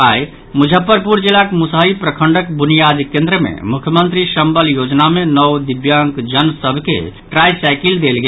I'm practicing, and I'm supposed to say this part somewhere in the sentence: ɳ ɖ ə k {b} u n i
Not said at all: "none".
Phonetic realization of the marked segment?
b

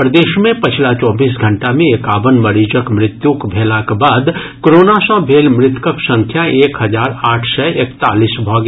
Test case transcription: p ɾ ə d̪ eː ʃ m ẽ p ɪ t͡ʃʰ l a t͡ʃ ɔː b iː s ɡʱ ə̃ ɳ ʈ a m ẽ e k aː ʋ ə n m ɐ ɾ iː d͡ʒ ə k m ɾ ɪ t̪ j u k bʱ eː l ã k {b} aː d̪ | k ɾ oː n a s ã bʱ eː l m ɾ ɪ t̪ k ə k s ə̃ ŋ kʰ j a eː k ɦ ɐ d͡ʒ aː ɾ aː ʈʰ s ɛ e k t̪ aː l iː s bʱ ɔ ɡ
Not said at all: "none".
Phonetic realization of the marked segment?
b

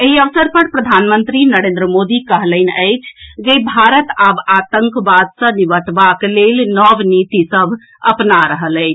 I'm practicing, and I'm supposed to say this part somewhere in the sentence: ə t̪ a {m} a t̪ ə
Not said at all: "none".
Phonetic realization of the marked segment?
b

